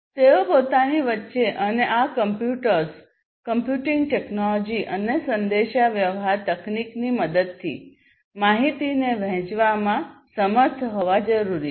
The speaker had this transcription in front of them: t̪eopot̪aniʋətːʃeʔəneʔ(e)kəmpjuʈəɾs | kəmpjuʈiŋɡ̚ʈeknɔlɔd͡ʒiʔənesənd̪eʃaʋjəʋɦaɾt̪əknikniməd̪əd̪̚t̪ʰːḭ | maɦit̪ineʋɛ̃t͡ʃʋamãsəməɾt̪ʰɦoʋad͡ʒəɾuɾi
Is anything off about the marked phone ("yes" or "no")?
yes